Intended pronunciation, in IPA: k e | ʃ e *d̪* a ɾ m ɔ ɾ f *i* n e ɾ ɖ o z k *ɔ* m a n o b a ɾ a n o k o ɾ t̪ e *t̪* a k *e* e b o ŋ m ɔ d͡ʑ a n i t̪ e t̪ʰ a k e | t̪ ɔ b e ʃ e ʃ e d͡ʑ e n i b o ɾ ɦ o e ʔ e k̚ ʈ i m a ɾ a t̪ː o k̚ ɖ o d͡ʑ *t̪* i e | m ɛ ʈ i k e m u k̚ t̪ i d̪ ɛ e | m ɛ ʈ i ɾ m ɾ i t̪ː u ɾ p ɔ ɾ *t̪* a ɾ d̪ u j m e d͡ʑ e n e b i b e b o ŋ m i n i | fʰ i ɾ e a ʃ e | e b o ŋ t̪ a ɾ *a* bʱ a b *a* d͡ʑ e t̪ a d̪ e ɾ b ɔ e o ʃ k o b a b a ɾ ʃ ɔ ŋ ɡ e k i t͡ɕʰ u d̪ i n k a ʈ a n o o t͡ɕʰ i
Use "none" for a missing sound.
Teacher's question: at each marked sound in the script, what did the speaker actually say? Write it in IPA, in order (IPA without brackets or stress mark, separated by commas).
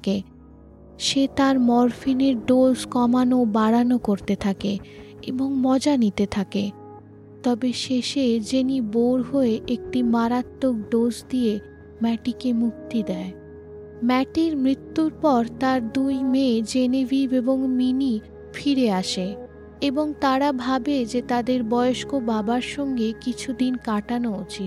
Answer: t̪, i, ɔ, t̪ʰ, e, d̪, t̪, a, e